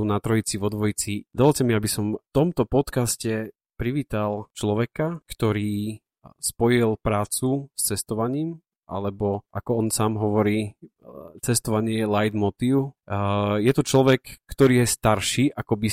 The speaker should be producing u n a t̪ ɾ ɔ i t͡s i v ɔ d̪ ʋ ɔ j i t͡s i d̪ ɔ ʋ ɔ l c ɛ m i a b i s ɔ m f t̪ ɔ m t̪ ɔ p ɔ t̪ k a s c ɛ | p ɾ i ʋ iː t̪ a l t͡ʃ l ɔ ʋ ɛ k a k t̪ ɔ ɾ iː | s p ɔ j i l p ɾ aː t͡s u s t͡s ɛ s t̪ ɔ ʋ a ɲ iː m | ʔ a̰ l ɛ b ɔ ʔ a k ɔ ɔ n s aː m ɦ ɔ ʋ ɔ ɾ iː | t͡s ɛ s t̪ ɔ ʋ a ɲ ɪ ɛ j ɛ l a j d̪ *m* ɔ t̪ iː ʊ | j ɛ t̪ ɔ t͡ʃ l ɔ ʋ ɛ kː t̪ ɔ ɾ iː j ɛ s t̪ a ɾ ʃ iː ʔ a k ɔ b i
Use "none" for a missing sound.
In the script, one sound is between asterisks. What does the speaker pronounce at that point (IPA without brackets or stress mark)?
m